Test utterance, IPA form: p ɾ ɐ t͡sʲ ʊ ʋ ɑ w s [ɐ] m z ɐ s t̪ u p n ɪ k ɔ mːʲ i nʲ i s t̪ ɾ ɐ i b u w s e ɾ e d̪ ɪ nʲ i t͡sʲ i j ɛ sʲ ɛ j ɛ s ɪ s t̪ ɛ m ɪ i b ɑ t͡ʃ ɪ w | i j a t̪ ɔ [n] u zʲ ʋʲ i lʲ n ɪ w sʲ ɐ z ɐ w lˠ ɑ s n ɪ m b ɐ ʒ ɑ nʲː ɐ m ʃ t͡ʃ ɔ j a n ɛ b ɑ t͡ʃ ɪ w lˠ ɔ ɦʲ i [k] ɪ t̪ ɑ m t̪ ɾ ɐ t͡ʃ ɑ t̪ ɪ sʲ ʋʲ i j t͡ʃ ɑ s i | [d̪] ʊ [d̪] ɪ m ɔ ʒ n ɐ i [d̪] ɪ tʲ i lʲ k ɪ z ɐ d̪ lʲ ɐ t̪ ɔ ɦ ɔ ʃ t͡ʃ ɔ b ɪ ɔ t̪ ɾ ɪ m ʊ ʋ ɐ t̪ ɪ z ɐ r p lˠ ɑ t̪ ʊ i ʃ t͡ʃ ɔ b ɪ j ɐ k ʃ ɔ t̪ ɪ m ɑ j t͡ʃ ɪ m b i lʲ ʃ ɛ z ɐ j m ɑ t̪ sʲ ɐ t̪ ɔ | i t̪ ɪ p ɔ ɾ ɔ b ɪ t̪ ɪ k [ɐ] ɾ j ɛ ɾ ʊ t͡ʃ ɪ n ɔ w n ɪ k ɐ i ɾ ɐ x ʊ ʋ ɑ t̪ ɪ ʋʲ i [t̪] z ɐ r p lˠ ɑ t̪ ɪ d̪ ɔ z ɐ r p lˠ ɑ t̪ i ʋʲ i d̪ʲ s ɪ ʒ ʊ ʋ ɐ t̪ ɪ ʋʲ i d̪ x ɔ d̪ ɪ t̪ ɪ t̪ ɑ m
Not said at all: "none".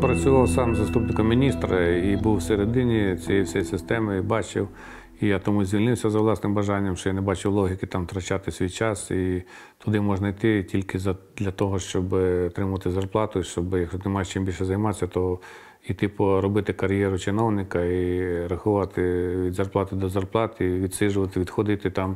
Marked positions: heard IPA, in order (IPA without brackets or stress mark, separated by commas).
ɑ, m, k, t̪, d̪, t̪, ɐ, d̪